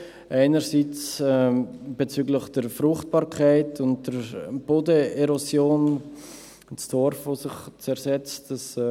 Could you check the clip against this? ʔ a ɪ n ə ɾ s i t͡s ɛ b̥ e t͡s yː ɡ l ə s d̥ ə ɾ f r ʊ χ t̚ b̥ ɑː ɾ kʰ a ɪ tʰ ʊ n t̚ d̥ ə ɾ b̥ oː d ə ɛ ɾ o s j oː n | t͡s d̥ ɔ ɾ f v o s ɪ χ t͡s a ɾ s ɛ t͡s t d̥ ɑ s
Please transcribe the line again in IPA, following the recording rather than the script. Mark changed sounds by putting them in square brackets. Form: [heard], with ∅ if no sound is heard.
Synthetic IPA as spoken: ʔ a ɪ n ə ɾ s i t͡s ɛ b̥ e t͡s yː ɡ l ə [χ] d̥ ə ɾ f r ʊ χ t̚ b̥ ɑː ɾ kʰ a ɪ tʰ ʊ n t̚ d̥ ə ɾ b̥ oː d ə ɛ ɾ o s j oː n | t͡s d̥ ɔ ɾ f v o s ɪ χ t͡s [ɛ] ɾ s ɛ t͡s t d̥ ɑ s